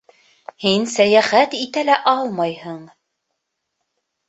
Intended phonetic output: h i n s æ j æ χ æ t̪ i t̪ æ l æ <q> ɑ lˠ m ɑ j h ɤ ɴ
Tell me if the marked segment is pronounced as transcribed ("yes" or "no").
no